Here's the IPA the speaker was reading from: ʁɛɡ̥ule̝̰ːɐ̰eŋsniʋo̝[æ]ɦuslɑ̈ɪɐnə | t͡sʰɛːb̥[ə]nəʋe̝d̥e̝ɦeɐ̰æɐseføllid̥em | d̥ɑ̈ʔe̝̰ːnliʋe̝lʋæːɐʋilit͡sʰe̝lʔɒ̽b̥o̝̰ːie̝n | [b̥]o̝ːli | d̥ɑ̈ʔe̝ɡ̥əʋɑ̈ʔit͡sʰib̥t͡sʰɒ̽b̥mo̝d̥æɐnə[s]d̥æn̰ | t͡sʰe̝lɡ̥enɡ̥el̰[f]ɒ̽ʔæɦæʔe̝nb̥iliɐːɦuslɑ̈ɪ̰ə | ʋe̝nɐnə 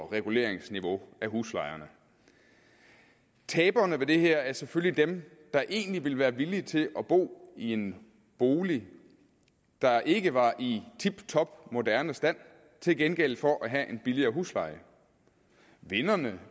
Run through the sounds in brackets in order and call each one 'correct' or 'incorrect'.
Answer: correct, incorrect, correct, correct, correct

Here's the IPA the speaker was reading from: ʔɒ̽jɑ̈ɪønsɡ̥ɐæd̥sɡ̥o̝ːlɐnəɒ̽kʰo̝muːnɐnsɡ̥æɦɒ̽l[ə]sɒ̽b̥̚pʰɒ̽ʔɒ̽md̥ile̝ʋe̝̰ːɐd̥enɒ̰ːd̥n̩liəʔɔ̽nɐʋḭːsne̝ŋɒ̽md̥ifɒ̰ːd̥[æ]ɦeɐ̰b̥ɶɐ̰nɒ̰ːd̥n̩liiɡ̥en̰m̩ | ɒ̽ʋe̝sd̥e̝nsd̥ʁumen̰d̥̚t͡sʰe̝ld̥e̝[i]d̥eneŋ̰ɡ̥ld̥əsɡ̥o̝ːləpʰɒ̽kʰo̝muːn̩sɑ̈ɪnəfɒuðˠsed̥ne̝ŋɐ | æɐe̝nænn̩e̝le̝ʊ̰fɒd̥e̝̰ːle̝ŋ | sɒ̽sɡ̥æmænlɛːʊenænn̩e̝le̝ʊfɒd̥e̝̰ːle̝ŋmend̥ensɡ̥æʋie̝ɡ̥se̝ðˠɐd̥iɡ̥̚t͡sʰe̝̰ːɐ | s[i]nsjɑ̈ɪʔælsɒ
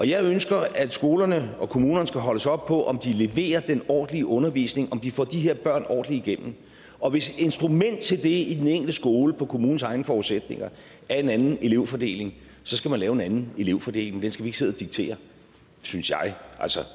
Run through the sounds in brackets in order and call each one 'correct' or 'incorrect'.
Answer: correct, incorrect, correct, incorrect

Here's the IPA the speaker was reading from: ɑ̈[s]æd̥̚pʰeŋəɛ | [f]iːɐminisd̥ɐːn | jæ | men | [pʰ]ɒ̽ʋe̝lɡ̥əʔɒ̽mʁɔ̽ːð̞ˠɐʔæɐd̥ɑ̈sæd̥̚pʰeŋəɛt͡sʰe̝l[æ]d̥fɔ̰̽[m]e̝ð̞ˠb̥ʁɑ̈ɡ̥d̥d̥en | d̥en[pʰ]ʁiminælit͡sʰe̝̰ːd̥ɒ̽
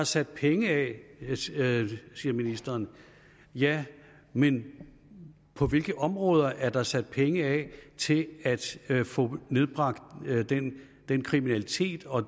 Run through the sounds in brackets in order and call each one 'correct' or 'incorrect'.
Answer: correct, incorrect, correct, correct, incorrect, incorrect

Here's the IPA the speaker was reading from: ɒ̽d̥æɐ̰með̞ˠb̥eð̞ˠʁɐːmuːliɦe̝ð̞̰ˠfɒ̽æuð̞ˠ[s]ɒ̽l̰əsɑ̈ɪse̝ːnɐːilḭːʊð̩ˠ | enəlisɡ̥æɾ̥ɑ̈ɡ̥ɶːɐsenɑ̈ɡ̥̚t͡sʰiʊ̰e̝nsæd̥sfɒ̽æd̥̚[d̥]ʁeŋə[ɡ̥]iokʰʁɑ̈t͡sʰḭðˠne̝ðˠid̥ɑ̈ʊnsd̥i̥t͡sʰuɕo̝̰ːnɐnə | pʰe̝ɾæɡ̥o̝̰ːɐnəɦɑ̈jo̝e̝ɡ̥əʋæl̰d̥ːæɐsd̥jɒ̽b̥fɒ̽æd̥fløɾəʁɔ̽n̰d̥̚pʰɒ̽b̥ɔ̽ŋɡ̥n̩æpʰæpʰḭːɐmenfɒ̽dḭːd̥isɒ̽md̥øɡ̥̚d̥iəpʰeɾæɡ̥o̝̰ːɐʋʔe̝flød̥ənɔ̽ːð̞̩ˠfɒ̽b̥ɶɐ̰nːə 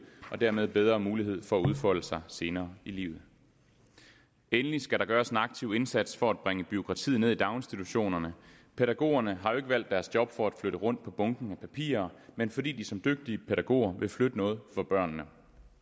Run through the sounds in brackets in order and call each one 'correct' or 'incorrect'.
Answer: incorrect, incorrect, incorrect

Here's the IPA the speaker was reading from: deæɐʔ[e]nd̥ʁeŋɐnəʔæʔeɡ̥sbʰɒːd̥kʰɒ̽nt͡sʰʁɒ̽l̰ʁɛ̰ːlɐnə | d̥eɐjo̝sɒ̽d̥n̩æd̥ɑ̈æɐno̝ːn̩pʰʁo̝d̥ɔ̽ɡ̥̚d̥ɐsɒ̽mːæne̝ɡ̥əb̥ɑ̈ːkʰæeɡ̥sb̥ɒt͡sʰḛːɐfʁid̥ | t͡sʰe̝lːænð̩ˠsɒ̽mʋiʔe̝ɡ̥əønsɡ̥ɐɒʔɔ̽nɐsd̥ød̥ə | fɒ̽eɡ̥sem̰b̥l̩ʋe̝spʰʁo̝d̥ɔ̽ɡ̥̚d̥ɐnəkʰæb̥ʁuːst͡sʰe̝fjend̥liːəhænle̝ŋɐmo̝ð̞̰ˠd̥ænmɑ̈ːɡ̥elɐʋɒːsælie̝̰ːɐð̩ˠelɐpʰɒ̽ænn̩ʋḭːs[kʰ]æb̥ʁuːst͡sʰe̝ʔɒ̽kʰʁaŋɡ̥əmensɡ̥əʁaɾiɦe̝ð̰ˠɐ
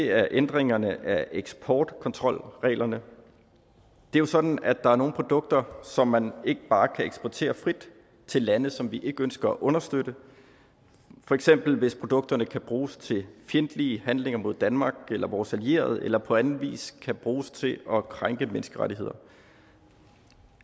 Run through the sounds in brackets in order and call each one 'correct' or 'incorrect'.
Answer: correct, correct

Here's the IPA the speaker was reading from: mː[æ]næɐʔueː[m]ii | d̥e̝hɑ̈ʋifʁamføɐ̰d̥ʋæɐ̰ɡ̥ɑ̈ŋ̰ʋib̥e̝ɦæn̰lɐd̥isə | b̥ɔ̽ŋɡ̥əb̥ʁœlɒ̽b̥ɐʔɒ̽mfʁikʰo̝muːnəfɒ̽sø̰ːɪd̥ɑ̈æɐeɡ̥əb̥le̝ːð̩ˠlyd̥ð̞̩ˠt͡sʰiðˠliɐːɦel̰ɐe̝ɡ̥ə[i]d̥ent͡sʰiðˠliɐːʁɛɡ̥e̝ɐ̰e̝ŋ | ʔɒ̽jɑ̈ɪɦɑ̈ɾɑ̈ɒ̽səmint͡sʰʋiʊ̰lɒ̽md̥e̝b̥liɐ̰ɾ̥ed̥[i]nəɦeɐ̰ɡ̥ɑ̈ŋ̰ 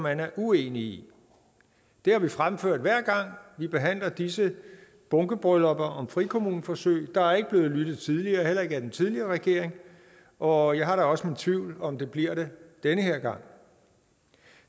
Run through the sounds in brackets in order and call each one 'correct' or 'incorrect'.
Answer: correct, incorrect, incorrect, incorrect

